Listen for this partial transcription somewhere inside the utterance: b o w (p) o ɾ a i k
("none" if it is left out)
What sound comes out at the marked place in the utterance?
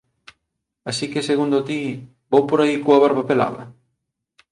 p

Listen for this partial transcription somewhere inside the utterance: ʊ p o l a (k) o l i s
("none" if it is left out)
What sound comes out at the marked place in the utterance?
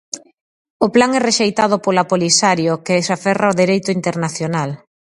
p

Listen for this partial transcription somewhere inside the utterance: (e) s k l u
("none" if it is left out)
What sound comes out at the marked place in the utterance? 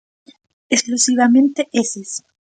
e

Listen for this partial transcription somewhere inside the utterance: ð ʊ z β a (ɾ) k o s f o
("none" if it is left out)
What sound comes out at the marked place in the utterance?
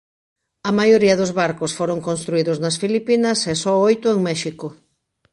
ɾ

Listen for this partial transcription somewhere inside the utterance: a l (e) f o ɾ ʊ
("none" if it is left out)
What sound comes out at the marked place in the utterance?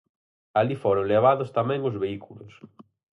i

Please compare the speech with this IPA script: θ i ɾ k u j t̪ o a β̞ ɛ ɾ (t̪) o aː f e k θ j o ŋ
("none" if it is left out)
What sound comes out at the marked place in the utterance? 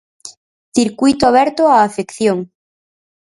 t̪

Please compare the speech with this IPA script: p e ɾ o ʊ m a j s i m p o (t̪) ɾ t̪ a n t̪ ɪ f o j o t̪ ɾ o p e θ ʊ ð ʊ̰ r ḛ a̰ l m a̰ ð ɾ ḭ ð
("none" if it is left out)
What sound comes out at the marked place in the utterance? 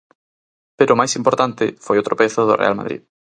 none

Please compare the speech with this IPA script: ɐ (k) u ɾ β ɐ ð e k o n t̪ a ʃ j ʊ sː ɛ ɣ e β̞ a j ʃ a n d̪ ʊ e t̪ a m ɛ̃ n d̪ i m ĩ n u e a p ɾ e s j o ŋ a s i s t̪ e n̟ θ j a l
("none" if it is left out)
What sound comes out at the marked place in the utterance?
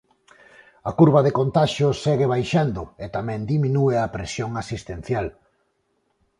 k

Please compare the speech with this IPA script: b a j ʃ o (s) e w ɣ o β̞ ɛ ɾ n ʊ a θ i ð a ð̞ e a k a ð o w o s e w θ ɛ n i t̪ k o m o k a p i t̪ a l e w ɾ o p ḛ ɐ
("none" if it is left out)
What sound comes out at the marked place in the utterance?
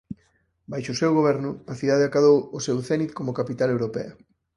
s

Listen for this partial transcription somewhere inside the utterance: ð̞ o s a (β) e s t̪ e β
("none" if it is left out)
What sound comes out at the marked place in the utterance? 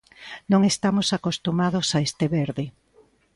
none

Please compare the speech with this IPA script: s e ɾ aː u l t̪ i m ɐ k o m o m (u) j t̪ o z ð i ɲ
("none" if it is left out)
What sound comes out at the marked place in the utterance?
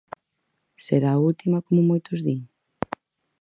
o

